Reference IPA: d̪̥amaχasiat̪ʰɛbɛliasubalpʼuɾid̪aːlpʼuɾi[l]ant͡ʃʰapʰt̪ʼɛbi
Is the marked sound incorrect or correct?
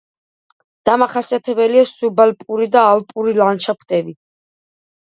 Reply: correct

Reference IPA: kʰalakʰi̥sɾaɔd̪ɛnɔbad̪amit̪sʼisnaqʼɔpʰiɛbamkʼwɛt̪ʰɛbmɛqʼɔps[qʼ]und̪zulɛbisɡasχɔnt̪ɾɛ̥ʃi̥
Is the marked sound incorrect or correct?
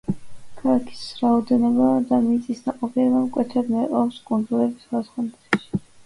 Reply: incorrect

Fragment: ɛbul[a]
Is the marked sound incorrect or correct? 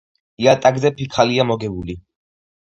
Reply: incorrect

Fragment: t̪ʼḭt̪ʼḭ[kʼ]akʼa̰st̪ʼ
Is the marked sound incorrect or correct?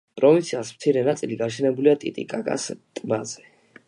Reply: correct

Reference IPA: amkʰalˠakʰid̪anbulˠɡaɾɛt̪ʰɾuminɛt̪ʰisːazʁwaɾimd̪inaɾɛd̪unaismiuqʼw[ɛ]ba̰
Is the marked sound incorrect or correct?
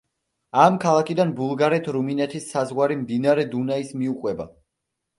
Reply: correct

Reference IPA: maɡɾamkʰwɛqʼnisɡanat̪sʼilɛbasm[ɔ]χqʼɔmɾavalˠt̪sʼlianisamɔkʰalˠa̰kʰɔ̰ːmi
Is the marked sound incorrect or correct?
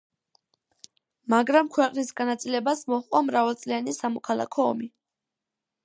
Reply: correct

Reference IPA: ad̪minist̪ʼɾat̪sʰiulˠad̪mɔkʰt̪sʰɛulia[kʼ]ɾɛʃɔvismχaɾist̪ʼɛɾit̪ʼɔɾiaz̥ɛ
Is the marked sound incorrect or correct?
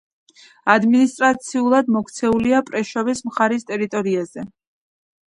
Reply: incorrect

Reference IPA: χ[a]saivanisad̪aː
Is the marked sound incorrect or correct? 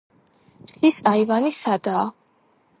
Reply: incorrect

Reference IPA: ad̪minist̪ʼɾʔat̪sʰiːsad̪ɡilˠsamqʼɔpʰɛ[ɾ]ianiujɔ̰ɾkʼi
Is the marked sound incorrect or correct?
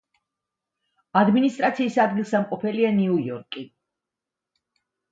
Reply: incorrect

